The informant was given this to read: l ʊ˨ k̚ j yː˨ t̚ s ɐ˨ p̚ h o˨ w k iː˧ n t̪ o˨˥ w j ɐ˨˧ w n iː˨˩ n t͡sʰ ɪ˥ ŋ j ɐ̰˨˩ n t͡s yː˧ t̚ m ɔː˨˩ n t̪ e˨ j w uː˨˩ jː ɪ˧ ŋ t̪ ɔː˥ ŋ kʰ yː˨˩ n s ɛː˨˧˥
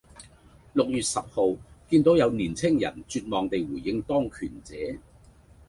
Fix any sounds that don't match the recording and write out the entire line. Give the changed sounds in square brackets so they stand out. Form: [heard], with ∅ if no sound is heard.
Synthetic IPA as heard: l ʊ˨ k̚ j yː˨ t̚ s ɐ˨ p̚ h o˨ w k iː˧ n t̪ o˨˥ w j ɐ˨˧ w n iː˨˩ n t͡sʰ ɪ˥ ŋ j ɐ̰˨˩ n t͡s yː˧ t̚ m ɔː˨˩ [ŋ] t̪ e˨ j w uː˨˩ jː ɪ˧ ŋ t̪ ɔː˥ ŋ kʰ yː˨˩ n [t͡s] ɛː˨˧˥

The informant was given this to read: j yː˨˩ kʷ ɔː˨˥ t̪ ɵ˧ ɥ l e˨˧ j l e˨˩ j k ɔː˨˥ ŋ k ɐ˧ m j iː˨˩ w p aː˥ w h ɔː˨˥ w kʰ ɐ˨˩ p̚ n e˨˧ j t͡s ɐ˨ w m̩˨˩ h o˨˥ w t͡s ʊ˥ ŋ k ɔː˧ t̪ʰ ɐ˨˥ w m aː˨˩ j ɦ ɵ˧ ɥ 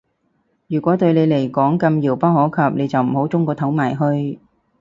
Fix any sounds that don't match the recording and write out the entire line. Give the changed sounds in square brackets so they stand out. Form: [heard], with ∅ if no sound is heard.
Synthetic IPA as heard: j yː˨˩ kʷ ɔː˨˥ t̪ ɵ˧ ɥ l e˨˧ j l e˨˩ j k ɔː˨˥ ŋ k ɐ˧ m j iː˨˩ w p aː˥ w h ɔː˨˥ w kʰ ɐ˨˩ p̚ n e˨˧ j t͡s ɐ˨ w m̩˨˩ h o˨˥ w t͡s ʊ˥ ŋ k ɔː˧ t̪ʰ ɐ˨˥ w m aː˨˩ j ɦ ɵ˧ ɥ

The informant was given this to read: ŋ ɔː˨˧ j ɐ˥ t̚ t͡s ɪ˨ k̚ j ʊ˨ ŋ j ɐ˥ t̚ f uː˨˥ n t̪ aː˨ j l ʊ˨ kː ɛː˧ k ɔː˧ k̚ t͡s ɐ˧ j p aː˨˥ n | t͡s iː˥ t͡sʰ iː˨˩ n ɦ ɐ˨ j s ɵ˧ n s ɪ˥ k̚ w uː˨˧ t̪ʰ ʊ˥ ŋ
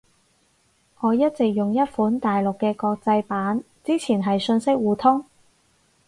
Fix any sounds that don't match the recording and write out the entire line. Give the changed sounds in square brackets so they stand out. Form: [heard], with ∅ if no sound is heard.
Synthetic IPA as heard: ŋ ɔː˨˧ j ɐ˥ t̚ t͡s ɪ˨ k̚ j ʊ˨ ŋ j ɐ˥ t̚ f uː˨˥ n t̪ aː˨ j l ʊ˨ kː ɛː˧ k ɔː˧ k̚ t͡s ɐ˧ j p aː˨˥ n | t͡s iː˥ t͡sʰ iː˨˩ n ɦ ɐ˨ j s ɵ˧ n s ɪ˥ k̚ w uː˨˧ t̪ʰ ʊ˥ ŋ

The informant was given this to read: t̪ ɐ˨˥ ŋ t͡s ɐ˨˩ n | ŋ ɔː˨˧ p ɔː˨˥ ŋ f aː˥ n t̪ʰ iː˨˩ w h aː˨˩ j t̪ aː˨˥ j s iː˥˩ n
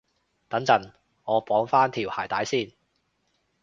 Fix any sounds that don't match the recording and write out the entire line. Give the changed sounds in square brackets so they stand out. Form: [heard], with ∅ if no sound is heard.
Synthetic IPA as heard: t̪ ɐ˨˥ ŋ t͡s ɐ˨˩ n | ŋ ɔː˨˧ p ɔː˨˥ ŋ f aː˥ n t̪ʰ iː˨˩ w h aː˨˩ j t̪ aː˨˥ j s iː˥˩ n

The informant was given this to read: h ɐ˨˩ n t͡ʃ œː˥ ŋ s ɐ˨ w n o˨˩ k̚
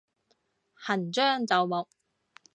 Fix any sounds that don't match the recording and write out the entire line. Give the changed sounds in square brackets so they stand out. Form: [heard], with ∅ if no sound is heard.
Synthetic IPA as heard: h ɐ˨˩ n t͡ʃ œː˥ ŋ [t͡s] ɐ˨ w [m] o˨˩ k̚

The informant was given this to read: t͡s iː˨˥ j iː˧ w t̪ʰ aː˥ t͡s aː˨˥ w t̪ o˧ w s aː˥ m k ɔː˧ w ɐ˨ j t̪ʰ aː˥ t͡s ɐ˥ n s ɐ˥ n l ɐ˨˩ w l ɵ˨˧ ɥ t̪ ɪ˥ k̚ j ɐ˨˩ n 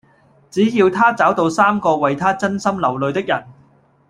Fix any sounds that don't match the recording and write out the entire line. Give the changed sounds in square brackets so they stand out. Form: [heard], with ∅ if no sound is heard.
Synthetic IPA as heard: t͡s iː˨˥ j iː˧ w t̪ʰ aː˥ t͡s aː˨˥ w t̪ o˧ w s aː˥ m k ɔː˧ w ɐ˨ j t̪ʰ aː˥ t͡s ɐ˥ n s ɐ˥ [m] l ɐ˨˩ w l ɵ˨˧ ɥ t̪ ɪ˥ k̚ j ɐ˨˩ n

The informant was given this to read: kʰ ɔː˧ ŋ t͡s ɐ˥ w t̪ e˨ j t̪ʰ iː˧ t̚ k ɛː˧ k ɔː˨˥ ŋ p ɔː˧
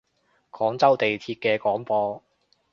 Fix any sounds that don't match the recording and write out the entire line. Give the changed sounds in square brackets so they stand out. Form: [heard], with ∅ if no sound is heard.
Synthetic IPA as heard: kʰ [ɔː˨˥] ŋ t͡s ɐ˥ w t̪ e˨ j t̪ʰ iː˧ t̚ k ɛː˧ k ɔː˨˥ ŋ p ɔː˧

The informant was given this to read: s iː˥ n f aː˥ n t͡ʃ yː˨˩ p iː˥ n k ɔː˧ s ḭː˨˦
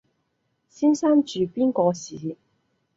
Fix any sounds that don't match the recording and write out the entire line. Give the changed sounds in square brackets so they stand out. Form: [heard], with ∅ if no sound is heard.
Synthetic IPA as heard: s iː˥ n [s] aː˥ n t͡ʃ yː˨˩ p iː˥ n k ɔː˧ s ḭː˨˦

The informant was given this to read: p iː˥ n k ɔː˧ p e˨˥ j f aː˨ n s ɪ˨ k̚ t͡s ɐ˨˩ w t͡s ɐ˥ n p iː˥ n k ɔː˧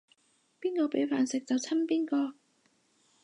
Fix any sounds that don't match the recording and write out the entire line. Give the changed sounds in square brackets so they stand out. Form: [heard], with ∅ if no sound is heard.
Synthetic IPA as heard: p iː˥ n k ɔː˧ p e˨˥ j f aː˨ n s ɪ˨ k̚ t͡s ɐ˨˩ w [t͡sʰ] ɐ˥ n p iː˥ n k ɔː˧

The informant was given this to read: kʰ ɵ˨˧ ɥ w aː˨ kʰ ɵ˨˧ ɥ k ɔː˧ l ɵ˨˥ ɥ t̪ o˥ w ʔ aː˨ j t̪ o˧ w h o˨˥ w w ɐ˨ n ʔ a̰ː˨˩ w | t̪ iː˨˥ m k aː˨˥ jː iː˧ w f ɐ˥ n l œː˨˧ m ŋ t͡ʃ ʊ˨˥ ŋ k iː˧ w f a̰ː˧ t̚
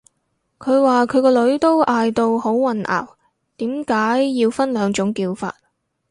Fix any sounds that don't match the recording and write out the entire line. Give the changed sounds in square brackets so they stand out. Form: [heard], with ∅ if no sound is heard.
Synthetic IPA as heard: kʰ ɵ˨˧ ɥ w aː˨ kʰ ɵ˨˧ ɥ k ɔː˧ l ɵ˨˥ ɥ t̪ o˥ w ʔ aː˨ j t̪ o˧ w h o˨˥ w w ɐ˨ n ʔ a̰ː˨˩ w | t̪ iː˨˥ m k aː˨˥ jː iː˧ w f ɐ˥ n l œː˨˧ [∅] ŋ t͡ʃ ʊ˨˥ ŋ k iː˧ w f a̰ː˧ t̚

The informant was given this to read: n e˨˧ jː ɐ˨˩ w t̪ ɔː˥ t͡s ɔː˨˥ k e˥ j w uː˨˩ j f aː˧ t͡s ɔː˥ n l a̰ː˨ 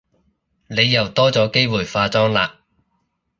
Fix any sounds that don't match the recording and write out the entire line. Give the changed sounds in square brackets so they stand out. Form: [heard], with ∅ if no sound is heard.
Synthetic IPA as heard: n e˨˧ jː ɐ˨˩ w t̪ ɔː˥ t͡s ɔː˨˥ k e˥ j w uː˨˩ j f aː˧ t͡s ɔː˥ [ŋ] l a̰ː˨

